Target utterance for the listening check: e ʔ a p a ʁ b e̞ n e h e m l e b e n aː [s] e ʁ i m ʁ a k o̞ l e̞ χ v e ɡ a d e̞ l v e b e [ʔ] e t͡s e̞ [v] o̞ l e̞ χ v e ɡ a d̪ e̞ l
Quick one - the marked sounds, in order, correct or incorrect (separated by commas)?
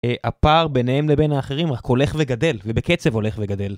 incorrect, incorrect, correct